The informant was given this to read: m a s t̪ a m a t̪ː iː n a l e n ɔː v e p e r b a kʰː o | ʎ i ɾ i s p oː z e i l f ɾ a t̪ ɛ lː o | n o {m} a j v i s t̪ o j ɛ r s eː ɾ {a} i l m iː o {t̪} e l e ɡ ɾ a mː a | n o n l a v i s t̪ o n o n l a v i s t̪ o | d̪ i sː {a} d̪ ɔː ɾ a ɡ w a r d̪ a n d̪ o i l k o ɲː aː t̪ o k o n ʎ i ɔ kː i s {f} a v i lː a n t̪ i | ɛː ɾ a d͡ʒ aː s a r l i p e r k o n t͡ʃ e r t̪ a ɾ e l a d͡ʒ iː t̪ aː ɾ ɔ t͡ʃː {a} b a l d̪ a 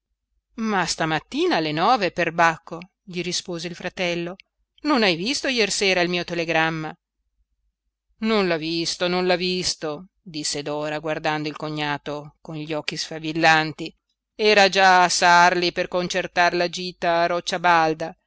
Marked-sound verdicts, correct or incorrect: incorrect, correct, correct, incorrect, correct, correct

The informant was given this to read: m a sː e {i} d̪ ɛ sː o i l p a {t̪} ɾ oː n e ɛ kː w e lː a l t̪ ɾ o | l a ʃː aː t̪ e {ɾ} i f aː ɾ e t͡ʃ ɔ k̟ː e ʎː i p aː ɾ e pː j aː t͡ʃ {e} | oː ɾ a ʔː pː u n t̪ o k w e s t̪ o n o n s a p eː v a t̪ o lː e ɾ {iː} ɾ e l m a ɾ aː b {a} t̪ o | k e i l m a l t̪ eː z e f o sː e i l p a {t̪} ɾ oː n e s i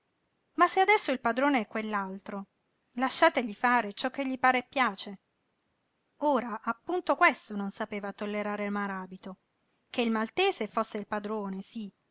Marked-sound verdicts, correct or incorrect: incorrect, incorrect, incorrect, correct, incorrect, incorrect, incorrect

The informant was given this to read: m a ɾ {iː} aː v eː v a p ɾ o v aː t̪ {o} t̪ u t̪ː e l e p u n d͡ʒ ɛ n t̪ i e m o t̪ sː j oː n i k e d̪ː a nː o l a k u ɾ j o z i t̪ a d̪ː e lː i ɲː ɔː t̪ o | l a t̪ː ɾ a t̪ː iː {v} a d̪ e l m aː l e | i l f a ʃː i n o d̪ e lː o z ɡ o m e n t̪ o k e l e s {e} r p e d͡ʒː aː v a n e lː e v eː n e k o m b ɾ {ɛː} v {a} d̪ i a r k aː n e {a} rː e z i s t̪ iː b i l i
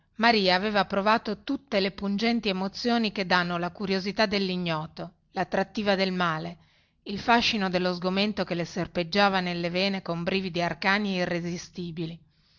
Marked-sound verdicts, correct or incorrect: correct, correct, correct, correct, incorrect, incorrect, incorrect

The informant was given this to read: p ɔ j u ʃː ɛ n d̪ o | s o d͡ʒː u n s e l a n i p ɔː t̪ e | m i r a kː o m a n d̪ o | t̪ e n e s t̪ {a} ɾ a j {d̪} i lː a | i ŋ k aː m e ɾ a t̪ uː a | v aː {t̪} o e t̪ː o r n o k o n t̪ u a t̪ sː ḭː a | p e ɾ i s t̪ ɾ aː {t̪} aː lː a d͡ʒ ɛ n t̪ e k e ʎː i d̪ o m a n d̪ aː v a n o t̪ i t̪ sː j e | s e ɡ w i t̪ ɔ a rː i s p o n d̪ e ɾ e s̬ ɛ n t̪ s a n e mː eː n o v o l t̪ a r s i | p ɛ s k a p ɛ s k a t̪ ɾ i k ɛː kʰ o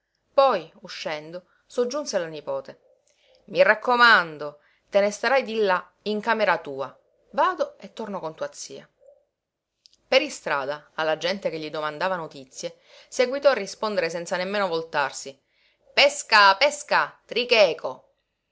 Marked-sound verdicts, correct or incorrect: correct, correct, incorrect, incorrect

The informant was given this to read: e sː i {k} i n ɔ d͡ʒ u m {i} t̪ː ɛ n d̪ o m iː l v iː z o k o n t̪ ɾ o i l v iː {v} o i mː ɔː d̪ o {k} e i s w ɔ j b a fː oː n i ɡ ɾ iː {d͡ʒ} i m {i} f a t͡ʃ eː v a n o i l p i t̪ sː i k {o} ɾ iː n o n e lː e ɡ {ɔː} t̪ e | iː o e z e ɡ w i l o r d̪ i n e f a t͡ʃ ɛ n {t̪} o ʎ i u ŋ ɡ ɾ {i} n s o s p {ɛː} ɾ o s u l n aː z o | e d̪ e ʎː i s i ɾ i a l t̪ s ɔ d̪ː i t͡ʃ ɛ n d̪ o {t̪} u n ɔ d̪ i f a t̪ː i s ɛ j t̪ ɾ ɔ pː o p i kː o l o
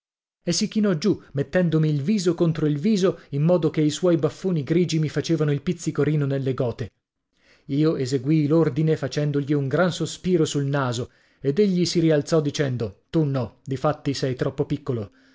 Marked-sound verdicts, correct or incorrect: correct, incorrect, incorrect, correct, correct, correct, correct, correct, incorrect, incorrect, incorrect, correct

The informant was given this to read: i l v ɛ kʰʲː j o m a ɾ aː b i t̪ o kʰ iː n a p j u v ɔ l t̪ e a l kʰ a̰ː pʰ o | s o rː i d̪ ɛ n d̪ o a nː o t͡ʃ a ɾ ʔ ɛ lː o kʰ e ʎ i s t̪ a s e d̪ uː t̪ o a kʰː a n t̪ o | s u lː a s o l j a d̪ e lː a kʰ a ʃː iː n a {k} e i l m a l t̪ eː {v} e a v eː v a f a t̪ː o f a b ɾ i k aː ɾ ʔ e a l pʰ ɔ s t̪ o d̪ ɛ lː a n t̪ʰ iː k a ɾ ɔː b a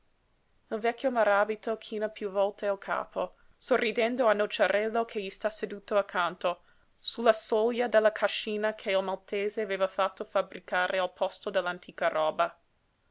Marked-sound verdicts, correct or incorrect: incorrect, incorrect

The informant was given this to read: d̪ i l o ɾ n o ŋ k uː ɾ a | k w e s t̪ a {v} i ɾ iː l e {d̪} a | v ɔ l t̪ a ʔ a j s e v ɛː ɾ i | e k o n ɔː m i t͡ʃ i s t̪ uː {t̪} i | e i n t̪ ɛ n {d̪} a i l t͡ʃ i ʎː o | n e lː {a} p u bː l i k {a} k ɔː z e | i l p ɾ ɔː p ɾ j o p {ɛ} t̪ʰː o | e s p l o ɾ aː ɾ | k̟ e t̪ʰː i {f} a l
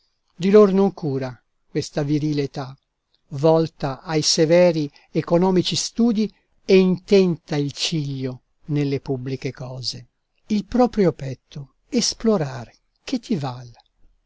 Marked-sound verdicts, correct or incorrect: correct, incorrect, incorrect, incorrect, incorrect, incorrect, correct, incorrect

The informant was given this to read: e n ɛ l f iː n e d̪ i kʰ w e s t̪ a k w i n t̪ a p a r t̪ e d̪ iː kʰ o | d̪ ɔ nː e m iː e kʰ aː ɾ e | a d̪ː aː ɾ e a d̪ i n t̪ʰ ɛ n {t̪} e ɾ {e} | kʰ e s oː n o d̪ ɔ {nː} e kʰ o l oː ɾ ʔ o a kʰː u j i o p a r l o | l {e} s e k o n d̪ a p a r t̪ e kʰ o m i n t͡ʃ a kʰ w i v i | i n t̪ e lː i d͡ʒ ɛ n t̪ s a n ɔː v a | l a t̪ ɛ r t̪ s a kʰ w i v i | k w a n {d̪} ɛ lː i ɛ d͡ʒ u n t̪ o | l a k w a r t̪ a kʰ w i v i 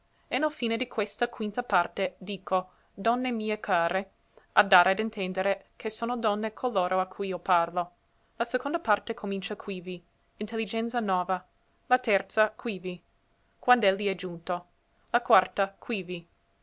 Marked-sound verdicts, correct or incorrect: incorrect, correct, correct, incorrect, correct

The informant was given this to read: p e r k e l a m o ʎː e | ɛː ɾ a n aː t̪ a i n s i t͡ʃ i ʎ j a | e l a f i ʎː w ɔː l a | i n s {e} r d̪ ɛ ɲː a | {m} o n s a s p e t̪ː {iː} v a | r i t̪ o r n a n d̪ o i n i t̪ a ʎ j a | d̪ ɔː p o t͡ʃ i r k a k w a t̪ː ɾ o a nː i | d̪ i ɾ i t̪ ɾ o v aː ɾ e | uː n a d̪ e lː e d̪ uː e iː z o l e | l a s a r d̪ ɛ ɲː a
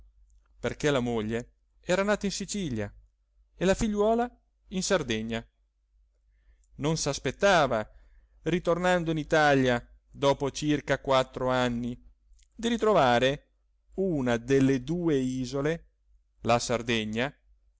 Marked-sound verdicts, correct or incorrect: incorrect, incorrect, incorrect

